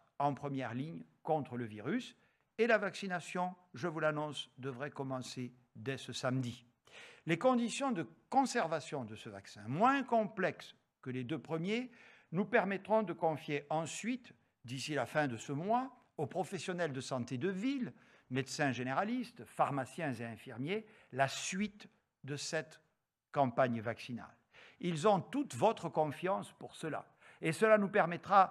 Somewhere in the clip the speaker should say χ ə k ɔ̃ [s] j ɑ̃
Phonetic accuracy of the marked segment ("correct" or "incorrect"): incorrect